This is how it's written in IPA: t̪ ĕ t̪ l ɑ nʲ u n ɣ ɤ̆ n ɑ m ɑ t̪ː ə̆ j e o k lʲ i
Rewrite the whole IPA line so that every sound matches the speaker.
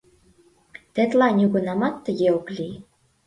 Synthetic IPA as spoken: t̪ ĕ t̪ l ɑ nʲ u ɣ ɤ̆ n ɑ m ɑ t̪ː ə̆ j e o k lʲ i